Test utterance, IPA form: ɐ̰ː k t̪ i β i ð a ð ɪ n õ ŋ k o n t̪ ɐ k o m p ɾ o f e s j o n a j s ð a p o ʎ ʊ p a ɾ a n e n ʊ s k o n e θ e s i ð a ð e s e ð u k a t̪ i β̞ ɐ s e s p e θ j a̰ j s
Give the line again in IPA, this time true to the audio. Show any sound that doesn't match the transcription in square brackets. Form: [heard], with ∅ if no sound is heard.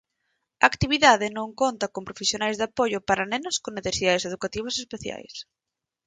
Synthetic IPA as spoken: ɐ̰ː k t̪ i β i ð a ð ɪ n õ ŋ k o n t̪ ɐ k o m p ɾ o f e s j o n a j [z] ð a p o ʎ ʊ p a ɾ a n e n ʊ s k o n e θ e s i ð a ð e s e ð u k a t̪ i β̞ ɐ s e s p e θ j a̰ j s